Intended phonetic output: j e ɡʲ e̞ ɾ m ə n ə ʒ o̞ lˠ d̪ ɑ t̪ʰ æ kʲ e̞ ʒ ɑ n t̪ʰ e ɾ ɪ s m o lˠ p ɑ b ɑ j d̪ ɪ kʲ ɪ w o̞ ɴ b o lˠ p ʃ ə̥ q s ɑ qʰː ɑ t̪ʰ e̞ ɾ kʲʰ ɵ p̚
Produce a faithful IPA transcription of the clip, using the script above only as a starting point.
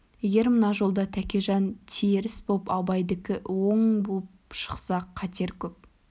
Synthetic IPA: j e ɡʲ e̞ ɾ m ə n ɑ ʒ o̞ lˠ d̪ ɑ t̪ʰ æ kʲ e̞ ʒ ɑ n t̪ʰ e ɾ ɪ s b o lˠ p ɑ b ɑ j d̪ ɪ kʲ ɪ w o̞ ɴ b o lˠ p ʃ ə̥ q s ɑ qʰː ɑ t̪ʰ e̞ ɾ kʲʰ ɵ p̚